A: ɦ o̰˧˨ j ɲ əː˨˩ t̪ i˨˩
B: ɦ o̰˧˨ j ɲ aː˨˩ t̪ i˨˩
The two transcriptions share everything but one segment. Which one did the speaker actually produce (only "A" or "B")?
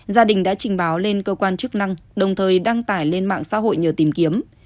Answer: A